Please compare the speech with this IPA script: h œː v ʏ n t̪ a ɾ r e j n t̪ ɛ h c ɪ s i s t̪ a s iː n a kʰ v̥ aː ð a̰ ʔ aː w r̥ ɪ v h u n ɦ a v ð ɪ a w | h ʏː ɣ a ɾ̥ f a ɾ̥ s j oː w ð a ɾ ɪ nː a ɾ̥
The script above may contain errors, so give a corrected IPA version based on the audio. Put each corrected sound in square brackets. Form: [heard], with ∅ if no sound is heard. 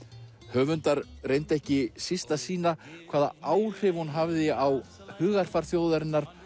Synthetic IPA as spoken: h œː v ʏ n t̪ a ɾ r e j n t̪ ɛ h c ɪ s i s t̪ a s iː n a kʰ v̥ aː ð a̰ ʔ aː w r̥ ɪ v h u n ɦ a v ð ɪ a w | h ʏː ɣ a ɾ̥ f a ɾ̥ [θ] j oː w ð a ɾ ɪ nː a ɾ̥